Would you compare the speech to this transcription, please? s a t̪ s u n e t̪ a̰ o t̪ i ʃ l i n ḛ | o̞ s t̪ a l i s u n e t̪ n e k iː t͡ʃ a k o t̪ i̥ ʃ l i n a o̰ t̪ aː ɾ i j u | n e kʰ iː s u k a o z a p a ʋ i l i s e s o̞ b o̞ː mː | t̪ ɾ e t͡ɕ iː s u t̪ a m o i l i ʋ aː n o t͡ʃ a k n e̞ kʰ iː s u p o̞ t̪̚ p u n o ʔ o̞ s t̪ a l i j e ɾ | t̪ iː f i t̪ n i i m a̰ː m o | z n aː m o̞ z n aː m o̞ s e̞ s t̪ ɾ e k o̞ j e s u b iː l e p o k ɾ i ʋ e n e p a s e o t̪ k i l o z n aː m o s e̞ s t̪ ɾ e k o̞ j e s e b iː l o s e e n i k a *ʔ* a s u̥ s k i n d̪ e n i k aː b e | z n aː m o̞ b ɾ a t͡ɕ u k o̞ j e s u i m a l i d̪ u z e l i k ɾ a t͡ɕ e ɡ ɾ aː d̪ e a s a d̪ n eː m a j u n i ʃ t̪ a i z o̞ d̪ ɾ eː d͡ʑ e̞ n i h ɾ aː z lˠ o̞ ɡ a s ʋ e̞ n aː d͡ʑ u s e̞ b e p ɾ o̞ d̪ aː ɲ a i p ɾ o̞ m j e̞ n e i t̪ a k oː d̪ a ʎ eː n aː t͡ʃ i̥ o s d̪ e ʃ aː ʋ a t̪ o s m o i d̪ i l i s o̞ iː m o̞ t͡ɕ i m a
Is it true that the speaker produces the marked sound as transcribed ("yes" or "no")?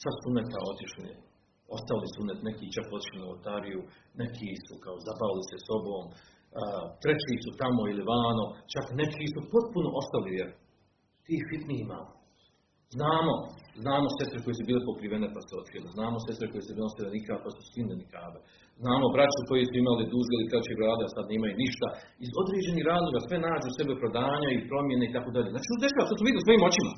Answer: no